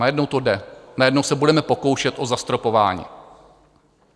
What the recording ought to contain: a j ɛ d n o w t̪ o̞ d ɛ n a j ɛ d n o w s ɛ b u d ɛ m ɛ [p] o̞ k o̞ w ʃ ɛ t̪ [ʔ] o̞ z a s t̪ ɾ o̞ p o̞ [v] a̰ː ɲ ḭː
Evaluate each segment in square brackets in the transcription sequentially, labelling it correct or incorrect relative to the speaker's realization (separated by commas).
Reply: correct, correct, correct